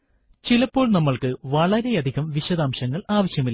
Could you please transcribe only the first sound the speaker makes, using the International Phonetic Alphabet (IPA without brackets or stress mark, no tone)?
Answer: t͡ɕ